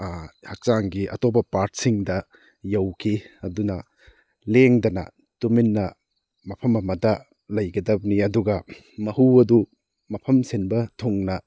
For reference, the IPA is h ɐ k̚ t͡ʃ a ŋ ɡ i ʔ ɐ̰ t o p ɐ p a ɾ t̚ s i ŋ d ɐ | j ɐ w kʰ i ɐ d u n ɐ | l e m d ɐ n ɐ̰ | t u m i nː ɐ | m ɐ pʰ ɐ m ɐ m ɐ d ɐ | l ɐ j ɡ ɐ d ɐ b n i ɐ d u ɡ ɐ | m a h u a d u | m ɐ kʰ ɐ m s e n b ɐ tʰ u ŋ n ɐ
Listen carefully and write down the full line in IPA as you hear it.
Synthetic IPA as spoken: h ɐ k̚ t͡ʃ a ŋ ɡ i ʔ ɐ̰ t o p ɐ p a ɾ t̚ s i ŋ d ɐ | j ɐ w kʰ i ɐ d u n ɐ | l e ŋ d ɐ n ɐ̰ | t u m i nː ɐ | m ɐ pʰ ɐ m ɐ m ɐ d ɐ | l ɐ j ɡ ɐ d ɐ b n i ɐ d u ɡ ɐ | m ɐ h u ɐ d u | m ɐ pʰ ɐ m s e n b ɐ tʰ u ŋ n ɐ